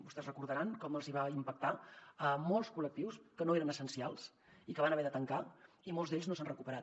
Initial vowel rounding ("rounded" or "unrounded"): rounded